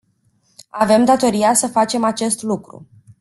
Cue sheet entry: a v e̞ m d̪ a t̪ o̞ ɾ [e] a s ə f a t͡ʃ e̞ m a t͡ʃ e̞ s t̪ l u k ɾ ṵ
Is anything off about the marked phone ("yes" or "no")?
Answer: yes